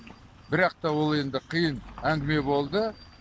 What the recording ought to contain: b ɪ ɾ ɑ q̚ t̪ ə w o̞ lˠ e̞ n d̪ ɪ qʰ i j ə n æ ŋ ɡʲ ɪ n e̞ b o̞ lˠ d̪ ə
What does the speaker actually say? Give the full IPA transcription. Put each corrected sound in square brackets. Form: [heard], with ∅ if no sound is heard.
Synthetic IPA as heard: b ɪ ɾ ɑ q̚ t̪ [ɑ] w o̞ lˠ e̞ n d̪ ɪ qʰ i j ə n æ ŋ ɡʲ ɪ [m] e̞ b o̞ lˠ d̪ ə

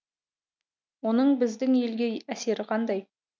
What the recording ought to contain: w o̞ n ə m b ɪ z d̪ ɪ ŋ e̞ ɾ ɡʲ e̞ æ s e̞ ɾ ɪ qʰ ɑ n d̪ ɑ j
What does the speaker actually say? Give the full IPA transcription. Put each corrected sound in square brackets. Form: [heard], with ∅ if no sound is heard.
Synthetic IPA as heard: w o̞ n ə [ɴ] b ɪ z d̪ ɪ ŋ e̞ [l] ɡʲ e̞ æ s e̞ ɾ ɪ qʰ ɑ n d̪ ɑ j

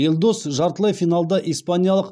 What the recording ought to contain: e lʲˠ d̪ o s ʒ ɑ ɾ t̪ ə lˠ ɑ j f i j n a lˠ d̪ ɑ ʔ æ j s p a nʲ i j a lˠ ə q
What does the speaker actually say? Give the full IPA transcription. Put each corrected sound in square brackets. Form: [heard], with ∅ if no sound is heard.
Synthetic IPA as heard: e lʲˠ d̪ o s ʒ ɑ ɾ t̪ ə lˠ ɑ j f i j n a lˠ d̪ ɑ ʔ [i] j s p a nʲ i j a lˠ ə q

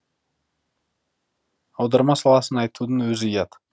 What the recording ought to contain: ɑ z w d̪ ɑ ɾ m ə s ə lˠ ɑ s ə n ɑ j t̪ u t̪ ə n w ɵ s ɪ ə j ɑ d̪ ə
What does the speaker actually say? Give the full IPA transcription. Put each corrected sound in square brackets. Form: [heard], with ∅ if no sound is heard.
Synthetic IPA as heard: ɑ [∅] w d̪ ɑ ɾ m [ɑ] s [ɑ] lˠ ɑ s ə n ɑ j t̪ u [d̪] ə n w ɵ [z] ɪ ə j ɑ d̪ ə

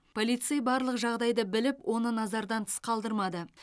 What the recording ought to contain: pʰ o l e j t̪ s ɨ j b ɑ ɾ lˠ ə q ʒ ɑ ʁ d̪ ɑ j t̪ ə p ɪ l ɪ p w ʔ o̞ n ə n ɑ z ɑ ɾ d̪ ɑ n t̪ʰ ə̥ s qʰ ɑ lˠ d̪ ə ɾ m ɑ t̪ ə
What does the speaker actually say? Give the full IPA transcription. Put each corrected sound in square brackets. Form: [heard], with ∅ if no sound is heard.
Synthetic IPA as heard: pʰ o l [i] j t̪ s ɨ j b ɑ ɾ lˠ ə q ʒ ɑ ʁ d̪ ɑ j [d̪] ə [b] ɪ l ɪ p w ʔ o̞ n ə n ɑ z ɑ ɾ d̪ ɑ n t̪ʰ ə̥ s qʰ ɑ lˠ d̪ ə ɾ m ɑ [d̪] ə

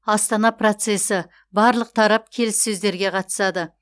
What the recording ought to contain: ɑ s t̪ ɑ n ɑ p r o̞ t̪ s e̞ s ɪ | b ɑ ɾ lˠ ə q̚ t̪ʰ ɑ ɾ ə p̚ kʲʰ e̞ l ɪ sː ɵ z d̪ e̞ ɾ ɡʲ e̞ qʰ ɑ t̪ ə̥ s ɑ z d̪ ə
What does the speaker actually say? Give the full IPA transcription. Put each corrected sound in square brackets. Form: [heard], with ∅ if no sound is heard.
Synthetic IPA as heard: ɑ s t̪ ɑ n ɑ p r o̞ t̪ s e̞ s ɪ | b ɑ ɾ lˠ ə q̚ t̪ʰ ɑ ɾ [ɑ] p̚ kʲʰ e̞ l ɪ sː ɵ z d̪ e̞ ɾ ɡʲ e̞ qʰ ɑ t̪ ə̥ s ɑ [∅] d̪ ə

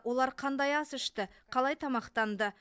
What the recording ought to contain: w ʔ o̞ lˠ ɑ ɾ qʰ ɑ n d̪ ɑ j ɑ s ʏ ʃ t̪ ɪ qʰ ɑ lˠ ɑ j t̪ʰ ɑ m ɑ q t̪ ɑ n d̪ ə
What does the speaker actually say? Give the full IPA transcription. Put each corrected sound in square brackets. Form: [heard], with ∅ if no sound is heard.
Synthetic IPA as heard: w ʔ o̞ lˠ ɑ ɾ qʰ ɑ n d̪ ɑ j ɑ s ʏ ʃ t̪ ɪ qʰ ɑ lˠ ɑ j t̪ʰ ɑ m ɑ q t̪ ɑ n d̪ ə

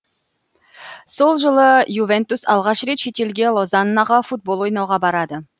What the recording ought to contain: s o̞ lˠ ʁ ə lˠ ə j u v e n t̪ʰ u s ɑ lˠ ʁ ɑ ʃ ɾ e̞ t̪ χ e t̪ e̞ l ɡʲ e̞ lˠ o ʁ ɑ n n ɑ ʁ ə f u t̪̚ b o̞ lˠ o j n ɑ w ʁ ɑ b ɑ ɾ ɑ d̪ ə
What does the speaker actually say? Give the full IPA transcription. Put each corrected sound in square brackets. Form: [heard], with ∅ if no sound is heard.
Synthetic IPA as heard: s o̞ lˠ [ʒ] ə lˠ ə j u v e n [t̪] u s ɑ lˠ ʁ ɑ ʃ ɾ e̞ t̪ [ʃ] e t̪ e̞ l ɡʲ e̞ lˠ o [z] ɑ n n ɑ ʁ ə f u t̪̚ b o̞ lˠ o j n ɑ w ʁ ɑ b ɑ ɾ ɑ d̪ ə

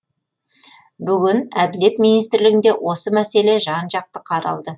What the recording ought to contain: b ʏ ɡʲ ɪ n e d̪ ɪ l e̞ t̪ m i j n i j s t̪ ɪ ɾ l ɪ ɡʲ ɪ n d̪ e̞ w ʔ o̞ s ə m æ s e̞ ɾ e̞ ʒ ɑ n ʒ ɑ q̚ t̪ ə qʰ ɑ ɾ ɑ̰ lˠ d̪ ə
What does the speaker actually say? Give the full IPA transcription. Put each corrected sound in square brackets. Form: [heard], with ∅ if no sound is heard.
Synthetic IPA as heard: b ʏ ɡʲ ɪ n [æ] d̪ ɪ l e̞ t̪ m i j n i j s t̪ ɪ ɾ l ɪ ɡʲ ɪ n d̪ e̞ w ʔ o̞ s ə m æ s e̞ [l] e̞ ʒ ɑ n ʒ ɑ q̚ t̪ ə qʰ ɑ ɾ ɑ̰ lˠ d̪ ə

